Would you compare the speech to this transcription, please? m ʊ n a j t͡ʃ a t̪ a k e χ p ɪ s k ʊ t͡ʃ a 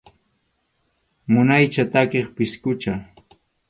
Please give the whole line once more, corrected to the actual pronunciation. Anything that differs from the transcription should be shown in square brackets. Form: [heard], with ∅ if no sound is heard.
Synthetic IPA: m ʊ n a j t͡ʃ a t̪ a k e χ p ɪ s k ʊ t͡ʃ a

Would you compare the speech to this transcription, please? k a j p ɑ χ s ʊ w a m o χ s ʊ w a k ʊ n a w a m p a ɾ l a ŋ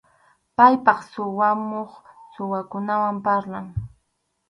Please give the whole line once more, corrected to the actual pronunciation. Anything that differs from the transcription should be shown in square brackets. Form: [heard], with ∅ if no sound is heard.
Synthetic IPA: [p] a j p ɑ χ s ʊ w a m o χ s ʊ w a k ʊ n a w a m p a ɾ l a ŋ

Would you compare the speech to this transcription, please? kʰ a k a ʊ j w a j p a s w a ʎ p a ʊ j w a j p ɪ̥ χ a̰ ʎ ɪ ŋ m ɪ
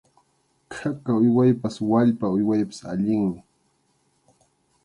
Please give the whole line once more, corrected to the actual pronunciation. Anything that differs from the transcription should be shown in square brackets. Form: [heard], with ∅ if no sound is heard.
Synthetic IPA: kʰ a k a ʊ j w a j p a s w a ʎ p a ʊ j w a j p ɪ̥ [s] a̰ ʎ ɪ ŋ m ɪ

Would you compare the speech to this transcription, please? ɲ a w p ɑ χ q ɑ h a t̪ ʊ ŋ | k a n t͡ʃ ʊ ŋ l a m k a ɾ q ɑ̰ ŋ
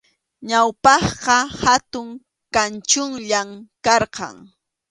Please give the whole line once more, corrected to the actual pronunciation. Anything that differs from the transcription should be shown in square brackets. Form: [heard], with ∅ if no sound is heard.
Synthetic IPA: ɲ a w p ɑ χ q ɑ h a t̪ ʊ ŋ | k a n t͡ʃ ʊ ŋ [ʎ] a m k [ɑ] ɾ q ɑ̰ ŋ

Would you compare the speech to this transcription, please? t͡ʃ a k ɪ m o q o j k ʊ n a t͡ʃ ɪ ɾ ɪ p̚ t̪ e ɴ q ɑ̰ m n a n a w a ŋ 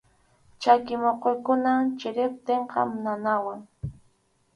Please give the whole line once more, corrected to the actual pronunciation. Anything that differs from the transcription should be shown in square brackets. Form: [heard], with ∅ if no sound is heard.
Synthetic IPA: t͡ʃ a k ɪ m o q o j k ʊ n a t͡ʃ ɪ ɾ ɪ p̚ t̪ e ɴ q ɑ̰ m n a n a w a ŋ

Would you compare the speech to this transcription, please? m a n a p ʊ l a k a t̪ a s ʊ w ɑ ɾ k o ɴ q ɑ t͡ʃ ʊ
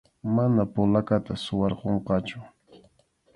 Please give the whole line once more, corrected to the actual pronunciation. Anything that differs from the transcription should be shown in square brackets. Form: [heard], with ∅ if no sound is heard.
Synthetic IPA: m a n a p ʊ l a k a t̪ a s ʊ w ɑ ɾ [q] o ɴ q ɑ t͡ʃ ʊ

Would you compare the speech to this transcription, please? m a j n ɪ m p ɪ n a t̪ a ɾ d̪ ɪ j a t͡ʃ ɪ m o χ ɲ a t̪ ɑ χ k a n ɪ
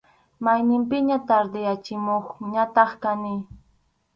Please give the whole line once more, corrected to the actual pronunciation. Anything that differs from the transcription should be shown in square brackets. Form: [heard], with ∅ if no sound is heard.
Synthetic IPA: m a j n ɪ m p ɪ [ɲ] a t̪ a ɾ d̪ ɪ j a t͡ʃ ɪ m o χ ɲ a t̪ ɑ χ k a n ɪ

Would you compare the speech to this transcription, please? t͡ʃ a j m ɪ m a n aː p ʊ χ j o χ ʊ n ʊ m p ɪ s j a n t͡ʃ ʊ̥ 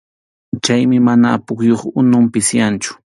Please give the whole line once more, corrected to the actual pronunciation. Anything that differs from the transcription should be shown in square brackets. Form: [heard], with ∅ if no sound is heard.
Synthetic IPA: t͡ʃ a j m ɪ m a n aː p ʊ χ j o χ ʊ n ʊ m p ɪ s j a n t͡ʃ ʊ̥

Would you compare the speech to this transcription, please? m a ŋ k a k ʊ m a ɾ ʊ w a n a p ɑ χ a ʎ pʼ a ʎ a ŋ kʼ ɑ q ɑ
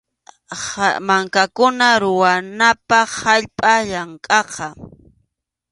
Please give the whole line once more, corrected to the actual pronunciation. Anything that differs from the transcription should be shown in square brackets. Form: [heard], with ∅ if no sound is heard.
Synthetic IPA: m a ŋ k a k ʊ [n] a ɾ ʊ w a n a p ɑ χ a ʎ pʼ a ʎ a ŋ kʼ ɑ q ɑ

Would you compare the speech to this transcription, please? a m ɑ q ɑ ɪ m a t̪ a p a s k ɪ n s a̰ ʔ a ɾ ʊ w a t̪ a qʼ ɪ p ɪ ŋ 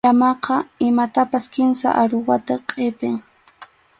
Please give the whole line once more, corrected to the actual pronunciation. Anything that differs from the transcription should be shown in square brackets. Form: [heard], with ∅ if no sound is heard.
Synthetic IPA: a m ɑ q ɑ ɪ m a t̪ a p a s k ɪ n s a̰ ʔ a ɾ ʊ w a t̪ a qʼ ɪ p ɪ ŋ

